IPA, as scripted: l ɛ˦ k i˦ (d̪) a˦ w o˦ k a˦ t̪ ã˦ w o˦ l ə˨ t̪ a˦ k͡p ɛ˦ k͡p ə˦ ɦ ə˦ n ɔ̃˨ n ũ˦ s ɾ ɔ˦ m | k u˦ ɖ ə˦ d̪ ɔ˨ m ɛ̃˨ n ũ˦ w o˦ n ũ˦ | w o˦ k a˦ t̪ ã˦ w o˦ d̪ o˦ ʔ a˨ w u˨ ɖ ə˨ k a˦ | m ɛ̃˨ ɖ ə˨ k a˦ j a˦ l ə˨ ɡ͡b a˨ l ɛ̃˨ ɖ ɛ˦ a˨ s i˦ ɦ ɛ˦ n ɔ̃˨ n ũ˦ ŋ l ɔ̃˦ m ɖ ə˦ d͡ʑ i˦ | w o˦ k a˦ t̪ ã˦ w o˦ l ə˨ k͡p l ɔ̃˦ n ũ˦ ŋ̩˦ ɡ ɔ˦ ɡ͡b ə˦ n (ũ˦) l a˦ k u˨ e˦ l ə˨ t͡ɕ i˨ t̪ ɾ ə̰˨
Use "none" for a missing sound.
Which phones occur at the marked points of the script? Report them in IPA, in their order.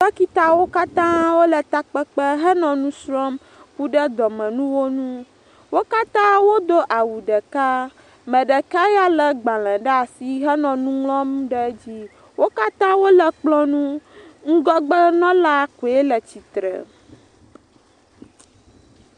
t̪, ɔ̃˦

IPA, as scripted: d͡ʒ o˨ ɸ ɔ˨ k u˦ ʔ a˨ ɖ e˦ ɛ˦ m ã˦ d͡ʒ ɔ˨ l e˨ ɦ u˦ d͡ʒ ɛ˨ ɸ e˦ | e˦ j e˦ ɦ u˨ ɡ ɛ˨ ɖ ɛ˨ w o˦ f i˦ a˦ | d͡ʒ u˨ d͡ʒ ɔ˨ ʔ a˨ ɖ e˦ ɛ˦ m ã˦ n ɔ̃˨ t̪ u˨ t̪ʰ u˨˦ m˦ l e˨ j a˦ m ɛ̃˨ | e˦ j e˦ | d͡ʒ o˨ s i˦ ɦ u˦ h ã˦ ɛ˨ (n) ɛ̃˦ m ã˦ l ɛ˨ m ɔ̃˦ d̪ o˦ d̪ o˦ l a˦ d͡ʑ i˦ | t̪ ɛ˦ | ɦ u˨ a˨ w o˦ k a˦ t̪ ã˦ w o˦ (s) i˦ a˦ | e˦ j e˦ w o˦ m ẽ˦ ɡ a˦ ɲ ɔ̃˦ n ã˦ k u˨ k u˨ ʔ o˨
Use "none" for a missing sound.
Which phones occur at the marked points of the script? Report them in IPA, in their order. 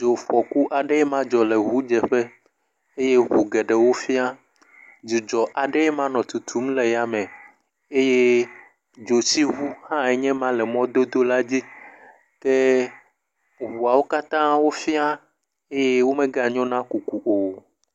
ɲ, f

